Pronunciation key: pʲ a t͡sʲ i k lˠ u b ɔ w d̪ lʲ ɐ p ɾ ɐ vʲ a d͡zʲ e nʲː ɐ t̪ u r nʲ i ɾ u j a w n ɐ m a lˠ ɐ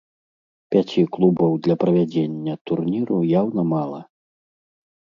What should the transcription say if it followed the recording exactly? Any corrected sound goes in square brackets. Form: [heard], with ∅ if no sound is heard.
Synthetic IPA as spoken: pʲ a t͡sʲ i k lˠ u b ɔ w d̪ lʲ ɐ p ɾ ɐ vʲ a d͡zʲ e nʲː ɐ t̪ u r nʲ i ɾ u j a w n ɐ m a lˠ ɐ